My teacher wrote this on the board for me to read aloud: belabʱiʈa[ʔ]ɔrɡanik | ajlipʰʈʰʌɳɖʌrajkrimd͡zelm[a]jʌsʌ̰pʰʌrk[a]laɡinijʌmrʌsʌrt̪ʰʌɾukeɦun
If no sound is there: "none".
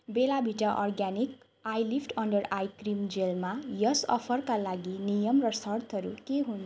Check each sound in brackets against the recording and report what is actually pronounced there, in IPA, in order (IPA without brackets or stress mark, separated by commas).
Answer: ʔ, a, a